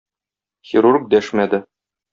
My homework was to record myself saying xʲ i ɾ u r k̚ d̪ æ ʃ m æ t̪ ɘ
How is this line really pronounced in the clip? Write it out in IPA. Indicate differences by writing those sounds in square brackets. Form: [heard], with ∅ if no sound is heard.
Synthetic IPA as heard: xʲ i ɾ u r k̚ d̪ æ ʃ m æ [d̪] ɘ

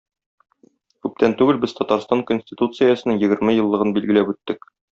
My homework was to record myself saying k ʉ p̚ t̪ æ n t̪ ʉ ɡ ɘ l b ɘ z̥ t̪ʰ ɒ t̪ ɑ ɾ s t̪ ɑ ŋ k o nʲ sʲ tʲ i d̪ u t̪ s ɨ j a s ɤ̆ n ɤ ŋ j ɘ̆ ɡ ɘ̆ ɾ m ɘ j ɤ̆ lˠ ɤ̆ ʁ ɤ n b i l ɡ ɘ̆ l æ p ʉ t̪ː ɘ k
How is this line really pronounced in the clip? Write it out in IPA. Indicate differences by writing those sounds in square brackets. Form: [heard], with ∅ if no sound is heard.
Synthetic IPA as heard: k ʉ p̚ t̪ æ n t̪ ʉ ɡ ɘ l b ɘ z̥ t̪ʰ ɒ t̪ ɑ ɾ s t̪ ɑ ŋ k o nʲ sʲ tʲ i [t̪] u t̪ s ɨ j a s ɤ̆ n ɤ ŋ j ɘ̆ ɡ ɘ̆ ɾ m ɘ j ɤ̆ [lˠː] ɤ̆ ʁ ɤ n b i l ɡ ɘ̆ l æ p ʉ t̪ː ɘ k

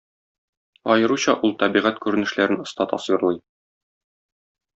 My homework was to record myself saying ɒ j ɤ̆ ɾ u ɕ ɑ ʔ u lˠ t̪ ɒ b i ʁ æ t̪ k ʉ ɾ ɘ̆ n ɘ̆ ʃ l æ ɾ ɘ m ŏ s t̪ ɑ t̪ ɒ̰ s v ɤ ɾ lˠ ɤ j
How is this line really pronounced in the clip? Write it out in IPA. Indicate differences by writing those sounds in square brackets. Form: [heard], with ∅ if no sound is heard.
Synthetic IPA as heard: ɒ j ɤ̆ ɾ u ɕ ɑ ʔ u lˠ t̪ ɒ b i ʁ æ t̪ k ʉ ɾ ɘ̆ n ɘ̆ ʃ l æ ɾ ɘ [n] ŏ s t̪ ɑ t̪ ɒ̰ s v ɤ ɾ lˠ ɤ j

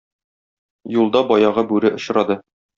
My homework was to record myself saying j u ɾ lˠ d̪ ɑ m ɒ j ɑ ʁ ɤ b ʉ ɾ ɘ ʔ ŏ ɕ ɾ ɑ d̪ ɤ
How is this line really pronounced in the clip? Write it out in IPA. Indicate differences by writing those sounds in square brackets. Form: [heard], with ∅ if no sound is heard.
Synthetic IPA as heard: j u [∅] lˠ d̪ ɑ [b] ɒ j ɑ ʁ ɤ b ʉ ɾ ɘ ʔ ŏ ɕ ɾ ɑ d̪ ɤ

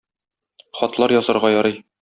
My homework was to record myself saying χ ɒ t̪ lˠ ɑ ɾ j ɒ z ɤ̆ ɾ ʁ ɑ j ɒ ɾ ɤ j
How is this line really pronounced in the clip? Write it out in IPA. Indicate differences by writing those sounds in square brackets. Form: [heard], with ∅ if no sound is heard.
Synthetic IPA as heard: χ ɒ t̪ lˠ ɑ ɾ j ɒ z ɤ̆ ɾ ʁ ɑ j ɒ ɾ ɤ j

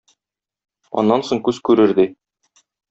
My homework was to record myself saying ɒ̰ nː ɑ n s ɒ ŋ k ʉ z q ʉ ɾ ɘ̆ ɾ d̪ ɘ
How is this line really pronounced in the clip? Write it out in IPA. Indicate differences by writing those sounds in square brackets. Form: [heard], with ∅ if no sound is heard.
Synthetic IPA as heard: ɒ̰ nː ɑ n s [o] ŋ k ʉ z [k] ʉ ɾ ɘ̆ ɾ d̪ ɘ

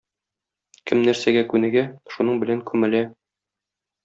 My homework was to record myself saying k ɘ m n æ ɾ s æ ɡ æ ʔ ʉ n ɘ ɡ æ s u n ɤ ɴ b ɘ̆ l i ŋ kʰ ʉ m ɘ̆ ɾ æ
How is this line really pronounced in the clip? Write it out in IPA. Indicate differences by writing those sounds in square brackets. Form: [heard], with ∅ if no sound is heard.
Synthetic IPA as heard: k ɘ m n æ ɾ s æ ɡ æ [k] ʉ n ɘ ɡ æ [ʃ] u n ɤ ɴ b ɘ̆ l [æ] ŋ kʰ ʉ m ɘ̆ [l] æ

